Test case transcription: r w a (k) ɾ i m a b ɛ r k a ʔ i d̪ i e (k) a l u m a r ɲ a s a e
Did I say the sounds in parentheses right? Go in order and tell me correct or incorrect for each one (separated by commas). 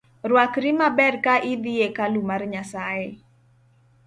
correct, correct